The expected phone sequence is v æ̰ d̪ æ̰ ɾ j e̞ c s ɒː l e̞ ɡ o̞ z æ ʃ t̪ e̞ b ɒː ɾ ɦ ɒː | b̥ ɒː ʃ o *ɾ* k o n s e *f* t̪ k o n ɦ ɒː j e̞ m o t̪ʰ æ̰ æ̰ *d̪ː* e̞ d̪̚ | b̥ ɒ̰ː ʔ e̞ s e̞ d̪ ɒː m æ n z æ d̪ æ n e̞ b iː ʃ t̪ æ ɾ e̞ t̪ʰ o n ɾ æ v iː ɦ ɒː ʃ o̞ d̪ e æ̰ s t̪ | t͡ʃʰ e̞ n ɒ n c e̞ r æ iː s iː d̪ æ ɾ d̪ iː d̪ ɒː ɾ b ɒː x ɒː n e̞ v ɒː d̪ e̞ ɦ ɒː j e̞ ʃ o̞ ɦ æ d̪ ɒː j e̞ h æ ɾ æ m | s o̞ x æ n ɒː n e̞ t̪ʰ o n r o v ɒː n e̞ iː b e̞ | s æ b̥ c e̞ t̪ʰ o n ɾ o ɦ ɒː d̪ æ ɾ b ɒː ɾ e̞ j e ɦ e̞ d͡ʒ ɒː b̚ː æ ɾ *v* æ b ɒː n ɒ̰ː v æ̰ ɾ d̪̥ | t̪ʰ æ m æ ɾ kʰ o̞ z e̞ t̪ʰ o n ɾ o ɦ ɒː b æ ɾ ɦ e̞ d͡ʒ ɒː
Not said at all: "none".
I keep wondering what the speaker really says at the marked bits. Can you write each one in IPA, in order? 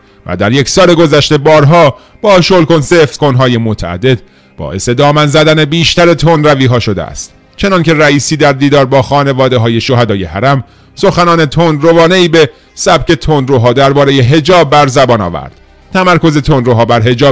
l, f, d̪ː, z

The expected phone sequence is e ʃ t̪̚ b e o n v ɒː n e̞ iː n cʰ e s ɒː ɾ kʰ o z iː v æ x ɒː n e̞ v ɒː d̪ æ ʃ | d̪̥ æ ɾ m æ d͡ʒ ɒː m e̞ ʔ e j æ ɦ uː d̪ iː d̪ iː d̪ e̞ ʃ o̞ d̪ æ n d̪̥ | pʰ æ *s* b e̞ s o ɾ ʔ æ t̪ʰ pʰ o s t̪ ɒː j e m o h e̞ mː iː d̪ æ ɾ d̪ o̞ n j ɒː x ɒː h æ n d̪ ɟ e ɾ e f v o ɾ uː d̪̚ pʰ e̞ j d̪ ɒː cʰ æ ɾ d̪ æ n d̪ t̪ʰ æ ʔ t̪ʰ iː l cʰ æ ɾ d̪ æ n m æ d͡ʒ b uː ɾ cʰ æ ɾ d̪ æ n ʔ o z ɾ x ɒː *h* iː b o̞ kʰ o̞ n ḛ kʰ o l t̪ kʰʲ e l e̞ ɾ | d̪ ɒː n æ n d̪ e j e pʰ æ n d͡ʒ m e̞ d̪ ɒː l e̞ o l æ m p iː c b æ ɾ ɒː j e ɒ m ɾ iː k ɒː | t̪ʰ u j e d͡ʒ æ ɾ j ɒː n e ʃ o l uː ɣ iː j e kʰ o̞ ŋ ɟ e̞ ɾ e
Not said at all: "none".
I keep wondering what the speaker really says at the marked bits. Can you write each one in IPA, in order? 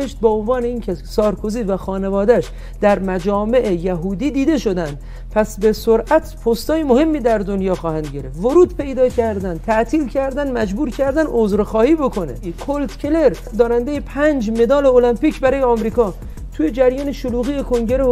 s, h

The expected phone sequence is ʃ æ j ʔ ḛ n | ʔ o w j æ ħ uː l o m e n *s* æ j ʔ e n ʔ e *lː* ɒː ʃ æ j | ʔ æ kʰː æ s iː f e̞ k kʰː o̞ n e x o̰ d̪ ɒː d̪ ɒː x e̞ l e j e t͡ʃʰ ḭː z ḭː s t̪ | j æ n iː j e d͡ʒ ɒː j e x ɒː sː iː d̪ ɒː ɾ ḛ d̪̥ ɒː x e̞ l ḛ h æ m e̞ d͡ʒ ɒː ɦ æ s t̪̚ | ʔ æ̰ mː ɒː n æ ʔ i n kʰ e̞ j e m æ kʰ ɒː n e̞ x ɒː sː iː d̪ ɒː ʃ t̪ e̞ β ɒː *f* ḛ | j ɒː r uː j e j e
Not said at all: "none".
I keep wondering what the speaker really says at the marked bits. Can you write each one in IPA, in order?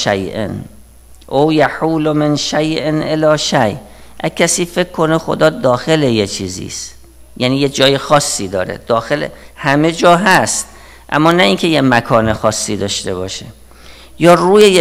ʃ, l, ʃ

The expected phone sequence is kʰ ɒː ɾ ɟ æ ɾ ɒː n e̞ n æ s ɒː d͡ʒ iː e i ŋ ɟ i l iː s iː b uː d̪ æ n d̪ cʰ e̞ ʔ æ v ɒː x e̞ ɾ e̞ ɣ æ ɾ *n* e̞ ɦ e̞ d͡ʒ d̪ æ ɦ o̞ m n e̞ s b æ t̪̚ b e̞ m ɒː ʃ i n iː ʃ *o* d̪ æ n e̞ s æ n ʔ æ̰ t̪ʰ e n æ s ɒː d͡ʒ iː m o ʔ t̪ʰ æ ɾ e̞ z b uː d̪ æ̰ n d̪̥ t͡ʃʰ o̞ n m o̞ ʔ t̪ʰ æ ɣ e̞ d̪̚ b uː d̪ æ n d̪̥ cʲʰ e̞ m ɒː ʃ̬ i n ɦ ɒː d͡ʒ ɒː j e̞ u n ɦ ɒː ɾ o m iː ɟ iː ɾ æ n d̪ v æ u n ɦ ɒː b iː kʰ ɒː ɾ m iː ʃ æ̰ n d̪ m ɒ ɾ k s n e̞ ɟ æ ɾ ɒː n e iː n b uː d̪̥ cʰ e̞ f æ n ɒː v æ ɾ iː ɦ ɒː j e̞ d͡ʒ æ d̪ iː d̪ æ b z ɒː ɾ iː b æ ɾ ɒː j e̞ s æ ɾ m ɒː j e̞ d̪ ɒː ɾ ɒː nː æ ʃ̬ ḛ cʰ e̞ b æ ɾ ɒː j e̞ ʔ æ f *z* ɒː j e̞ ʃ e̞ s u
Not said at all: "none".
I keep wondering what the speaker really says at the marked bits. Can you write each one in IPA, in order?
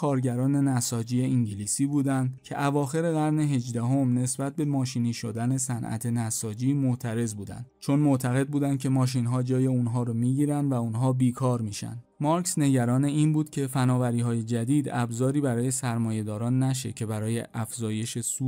n, o, z

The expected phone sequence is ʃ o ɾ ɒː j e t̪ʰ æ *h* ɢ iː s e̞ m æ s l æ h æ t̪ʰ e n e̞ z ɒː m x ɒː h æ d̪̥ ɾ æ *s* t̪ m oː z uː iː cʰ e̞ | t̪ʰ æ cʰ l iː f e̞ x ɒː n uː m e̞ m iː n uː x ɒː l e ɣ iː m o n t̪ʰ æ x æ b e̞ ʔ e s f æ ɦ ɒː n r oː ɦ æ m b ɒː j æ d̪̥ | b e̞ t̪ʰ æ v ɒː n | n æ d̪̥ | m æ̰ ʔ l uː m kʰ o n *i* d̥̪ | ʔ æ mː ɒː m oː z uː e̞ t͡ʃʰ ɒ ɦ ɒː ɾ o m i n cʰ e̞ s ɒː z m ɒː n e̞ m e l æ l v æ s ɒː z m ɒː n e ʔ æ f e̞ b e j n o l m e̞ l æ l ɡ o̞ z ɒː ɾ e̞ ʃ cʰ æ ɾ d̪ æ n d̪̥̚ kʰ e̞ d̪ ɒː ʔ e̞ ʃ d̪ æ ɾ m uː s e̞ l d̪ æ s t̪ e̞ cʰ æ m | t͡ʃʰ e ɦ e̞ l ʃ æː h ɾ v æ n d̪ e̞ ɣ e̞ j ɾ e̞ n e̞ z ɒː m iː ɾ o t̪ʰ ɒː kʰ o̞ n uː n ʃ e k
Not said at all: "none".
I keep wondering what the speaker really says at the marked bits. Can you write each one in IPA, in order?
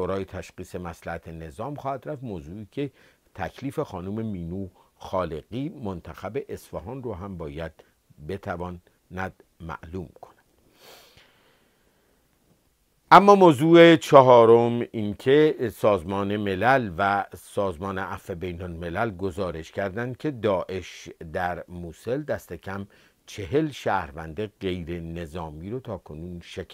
ʃ, f, æ

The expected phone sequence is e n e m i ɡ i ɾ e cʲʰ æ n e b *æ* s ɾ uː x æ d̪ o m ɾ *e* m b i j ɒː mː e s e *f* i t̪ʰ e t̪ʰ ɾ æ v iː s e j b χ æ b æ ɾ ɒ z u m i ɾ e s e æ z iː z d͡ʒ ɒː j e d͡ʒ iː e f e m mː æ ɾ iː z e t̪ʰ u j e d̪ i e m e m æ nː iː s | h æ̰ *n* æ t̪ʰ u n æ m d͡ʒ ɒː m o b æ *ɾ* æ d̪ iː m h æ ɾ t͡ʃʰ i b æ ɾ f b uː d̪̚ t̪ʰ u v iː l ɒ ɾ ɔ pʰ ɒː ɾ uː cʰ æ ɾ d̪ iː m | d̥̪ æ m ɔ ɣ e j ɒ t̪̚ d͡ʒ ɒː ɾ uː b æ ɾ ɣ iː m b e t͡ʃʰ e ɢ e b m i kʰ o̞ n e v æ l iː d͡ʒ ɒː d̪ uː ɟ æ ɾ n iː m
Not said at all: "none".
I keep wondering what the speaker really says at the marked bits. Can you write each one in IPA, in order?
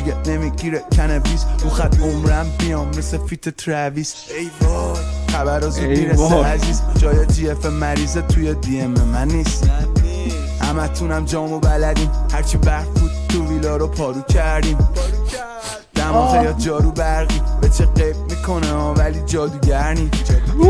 i, æ, f, m, l

